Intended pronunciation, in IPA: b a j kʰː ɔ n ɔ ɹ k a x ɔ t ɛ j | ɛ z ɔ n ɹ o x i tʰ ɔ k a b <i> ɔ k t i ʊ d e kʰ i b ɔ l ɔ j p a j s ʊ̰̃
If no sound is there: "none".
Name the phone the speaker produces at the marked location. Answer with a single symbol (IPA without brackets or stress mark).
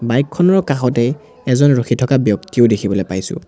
j